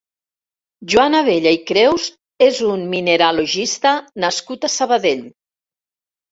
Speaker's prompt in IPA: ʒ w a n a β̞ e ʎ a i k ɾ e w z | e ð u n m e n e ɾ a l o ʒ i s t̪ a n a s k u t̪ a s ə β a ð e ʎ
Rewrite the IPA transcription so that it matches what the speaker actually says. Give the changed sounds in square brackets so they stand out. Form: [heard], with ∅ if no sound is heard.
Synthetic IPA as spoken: ʒ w a n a β̞ e ʎ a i k ɾ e w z | e [z] u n m [i] n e ɾ a l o ʒ i s t̪ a n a s k u t̪ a s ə β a ð e ʎ